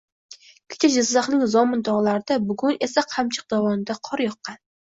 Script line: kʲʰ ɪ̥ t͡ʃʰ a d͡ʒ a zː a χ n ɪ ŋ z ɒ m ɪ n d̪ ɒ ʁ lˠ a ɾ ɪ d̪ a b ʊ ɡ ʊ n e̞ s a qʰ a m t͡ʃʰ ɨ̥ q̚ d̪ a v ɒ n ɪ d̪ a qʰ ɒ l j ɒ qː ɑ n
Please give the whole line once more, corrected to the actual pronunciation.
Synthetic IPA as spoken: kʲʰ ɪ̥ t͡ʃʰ a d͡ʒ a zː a χ n ɪ ŋ z ɒ m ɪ n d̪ ɒ ʁ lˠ a ɾ ɪ d̪ a b ʊ ɡ ʊ n e̞ s a qʰ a m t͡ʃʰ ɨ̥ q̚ d̪ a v ɒ n ɪ d̪ a qʰ ɒ ɾ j ɒ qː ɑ n

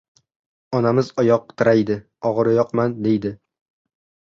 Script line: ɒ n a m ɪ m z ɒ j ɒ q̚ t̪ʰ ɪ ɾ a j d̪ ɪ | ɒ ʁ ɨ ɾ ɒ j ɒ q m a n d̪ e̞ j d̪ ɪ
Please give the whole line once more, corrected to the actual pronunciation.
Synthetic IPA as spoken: ɒ n a m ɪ z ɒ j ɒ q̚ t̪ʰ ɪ ɾ a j d̪ ɪ | ɒ ʁ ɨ ɾ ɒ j ɒ q m a n d̪ e̞ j d̪ ɪ

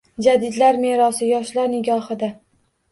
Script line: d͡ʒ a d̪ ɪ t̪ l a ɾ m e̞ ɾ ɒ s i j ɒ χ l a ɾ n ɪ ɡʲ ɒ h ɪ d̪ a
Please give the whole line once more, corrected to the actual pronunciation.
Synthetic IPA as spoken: d͡ʒ a d̪ ɪ d̪ l a ɾ m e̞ ɾ ɒ s ɪ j ɒ ʃ l a ɾ n ɪ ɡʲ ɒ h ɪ d̪ a

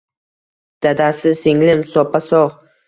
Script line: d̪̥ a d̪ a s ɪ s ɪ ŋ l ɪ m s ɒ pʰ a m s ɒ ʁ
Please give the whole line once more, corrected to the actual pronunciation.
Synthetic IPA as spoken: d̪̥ a d̪ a s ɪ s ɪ ŋ l ɪ m s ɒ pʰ a s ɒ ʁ

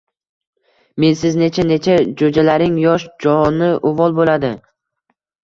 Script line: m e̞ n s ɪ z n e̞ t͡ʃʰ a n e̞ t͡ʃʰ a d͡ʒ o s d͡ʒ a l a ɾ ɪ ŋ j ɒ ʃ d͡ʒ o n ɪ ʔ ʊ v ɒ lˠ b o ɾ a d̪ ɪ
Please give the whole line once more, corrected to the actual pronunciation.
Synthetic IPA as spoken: m e̞ n s ɪ z n e̞ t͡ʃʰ a n e̞ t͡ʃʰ a d͡ʒ o d͡ʒ a l a ɾ ɪ ŋ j ɒ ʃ d͡ʒ ɒ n ɪ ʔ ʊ v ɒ lˠ b o l a d̪ ɪ

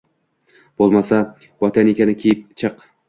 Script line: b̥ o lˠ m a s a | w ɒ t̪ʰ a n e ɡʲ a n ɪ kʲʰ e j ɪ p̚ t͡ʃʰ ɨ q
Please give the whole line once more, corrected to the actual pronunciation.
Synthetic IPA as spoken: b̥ o lˠ m a s a | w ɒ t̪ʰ a n e kʲ a n ɪ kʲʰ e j ɪ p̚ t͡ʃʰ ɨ q

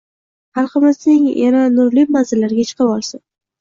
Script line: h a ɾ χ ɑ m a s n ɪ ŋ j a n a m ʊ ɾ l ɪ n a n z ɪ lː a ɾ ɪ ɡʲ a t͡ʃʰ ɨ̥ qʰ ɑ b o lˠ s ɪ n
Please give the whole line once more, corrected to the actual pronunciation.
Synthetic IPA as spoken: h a ɾ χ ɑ m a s n ɪ ŋ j a n a n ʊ ɾ l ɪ m a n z ɪ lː a ɾ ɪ ɡʲ a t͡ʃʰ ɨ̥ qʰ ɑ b ɒ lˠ s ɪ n

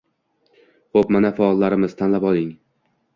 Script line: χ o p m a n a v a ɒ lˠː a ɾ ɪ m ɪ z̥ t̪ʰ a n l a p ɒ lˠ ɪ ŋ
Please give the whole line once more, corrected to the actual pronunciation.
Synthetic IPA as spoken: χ o p m a n a f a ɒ lˠː a ɾ ɪ m ɪ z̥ t̪ʰ a n l a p ɒ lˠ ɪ ŋ

